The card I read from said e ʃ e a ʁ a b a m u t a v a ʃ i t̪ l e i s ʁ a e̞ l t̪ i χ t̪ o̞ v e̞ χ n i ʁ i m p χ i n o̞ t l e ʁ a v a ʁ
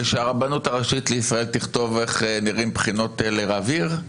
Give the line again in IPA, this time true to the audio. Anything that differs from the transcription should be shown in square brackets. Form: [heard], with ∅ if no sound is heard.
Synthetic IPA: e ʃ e a ʁ a b a [n] u t a [ʁ] a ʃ i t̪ l e i s ʁ a e̞ l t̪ i χ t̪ o̞ v e̞ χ n i ʁ i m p χ i n o̞ t l e ʁ a v [i] ʁ